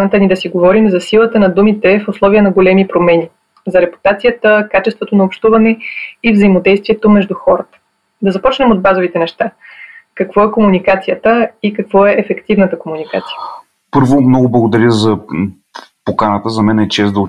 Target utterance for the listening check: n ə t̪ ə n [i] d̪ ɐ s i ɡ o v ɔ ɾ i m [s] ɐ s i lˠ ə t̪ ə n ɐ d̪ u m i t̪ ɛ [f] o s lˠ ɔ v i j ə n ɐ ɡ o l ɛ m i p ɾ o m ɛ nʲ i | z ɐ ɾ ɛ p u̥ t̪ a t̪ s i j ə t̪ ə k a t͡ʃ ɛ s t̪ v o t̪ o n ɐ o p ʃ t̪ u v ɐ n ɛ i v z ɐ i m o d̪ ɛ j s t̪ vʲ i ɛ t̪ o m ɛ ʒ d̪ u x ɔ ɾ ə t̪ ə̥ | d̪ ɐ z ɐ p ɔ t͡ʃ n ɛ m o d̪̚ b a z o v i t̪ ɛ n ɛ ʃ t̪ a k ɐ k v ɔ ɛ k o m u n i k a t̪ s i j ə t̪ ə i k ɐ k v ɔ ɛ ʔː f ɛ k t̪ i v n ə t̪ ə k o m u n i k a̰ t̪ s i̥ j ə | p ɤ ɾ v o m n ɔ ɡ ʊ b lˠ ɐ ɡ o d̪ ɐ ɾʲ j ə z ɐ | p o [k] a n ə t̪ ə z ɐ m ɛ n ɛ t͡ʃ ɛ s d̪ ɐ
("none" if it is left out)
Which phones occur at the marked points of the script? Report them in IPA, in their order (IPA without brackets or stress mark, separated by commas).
i, z, f, k